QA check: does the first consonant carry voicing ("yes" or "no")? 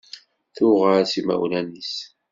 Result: no